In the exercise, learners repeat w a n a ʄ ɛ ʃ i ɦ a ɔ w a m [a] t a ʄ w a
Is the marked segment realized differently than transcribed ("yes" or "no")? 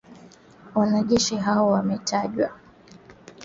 yes